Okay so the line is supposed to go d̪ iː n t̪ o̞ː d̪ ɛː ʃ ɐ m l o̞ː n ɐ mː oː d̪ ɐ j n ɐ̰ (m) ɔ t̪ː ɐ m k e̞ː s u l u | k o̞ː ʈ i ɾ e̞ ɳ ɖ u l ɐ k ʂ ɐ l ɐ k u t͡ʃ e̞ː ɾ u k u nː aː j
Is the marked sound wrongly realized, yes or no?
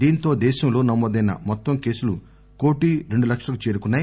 no